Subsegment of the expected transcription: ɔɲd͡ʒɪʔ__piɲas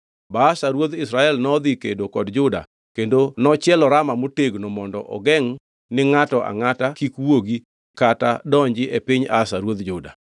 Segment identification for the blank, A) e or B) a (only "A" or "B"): A